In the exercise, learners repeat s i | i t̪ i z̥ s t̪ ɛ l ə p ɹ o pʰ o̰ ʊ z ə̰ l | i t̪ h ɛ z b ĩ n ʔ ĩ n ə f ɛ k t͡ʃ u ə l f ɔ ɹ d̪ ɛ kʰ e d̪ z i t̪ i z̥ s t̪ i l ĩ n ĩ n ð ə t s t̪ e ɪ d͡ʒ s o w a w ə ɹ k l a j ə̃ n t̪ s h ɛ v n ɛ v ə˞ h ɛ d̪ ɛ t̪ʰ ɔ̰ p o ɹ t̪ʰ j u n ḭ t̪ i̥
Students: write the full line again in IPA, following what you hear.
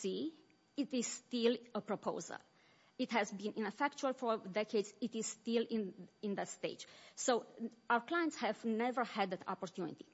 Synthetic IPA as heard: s i | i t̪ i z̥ s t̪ i l ə p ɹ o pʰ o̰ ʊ z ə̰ l | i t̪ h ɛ z b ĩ n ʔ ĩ n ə f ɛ k t͡ʃ u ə l f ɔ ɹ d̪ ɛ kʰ e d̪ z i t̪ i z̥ s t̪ i l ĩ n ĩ n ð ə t s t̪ e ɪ d͡ʒ s o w a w ə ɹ k l a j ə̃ n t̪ s h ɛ v n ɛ v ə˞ h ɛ d̪ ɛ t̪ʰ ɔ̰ p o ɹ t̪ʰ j u n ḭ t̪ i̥